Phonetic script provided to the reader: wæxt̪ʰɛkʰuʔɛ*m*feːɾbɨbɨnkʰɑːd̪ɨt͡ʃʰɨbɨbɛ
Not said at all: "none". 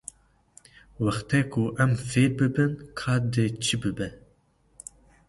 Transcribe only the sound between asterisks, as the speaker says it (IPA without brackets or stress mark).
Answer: m